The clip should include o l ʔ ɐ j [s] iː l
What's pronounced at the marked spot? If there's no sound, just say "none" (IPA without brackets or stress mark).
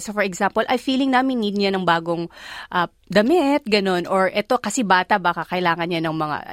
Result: f